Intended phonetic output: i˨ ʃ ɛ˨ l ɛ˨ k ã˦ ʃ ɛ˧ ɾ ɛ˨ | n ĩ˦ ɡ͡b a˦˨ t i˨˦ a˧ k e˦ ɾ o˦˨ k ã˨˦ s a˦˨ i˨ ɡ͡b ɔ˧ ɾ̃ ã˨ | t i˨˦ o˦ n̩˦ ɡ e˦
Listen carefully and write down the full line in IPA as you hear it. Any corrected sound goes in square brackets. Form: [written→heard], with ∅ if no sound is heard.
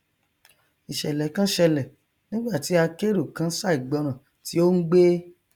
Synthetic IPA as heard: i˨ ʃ ɛ˨ l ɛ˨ k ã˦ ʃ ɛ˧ [ɾ→l] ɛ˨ | n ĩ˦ ɡ͡b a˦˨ t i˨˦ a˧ k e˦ ɾ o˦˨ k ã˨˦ s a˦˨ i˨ ɡ͡b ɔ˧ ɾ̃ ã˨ | t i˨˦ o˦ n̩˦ [ɡ→ɡ͡b] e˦